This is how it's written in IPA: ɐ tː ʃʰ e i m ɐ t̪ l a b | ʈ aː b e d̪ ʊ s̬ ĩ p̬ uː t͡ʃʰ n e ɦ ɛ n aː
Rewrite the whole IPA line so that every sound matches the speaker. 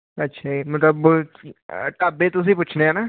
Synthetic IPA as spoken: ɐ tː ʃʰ a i m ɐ t̪ l ə b | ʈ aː b e t̪ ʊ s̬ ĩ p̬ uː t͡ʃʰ n e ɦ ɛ n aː